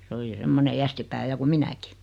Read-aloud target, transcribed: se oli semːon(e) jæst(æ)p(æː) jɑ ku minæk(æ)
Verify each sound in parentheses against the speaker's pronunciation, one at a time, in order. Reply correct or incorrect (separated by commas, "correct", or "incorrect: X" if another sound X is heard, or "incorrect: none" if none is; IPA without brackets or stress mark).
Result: correct, incorrect: i, correct, incorrect: i